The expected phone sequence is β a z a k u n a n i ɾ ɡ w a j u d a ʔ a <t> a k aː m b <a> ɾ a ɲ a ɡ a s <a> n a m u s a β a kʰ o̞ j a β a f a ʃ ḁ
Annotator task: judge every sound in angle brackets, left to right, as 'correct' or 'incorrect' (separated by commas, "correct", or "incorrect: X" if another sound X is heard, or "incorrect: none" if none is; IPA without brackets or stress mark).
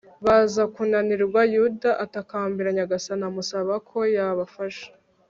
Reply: correct, incorrect: i, correct